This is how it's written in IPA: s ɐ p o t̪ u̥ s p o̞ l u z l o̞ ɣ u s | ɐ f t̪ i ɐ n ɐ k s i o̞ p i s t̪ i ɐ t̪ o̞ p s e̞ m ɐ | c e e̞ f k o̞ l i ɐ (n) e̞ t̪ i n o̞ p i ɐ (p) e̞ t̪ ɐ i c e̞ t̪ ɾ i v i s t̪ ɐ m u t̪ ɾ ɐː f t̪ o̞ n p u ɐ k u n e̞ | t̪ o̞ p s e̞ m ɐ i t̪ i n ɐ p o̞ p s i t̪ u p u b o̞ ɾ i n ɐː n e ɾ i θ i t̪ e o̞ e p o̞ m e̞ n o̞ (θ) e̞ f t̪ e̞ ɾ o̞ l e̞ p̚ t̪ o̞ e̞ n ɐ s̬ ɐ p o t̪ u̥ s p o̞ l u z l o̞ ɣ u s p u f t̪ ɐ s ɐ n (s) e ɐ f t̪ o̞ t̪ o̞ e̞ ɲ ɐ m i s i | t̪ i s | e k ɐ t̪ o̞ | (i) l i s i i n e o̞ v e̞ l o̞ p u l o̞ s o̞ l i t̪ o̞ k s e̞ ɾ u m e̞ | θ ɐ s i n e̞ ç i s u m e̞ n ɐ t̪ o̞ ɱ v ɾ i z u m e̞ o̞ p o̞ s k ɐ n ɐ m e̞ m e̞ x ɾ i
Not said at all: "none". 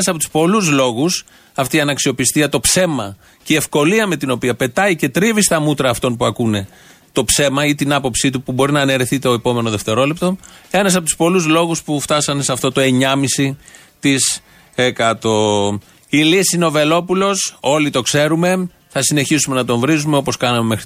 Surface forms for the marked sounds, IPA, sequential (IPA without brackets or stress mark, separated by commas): m, p, ð, s, i